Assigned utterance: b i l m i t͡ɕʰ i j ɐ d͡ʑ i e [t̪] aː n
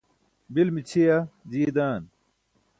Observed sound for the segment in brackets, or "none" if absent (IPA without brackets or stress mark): d̪